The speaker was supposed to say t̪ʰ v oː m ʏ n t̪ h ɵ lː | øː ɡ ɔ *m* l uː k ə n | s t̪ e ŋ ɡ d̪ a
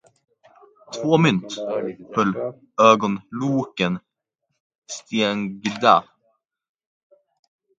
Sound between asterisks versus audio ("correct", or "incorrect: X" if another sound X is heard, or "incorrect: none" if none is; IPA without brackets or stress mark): incorrect: n